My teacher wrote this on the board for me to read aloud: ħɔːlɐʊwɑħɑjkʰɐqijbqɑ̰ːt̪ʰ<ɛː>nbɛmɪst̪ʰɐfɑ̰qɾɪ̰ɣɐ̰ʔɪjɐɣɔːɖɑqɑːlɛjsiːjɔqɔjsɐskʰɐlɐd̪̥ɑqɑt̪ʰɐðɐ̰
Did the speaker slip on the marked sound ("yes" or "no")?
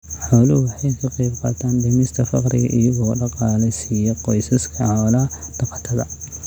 yes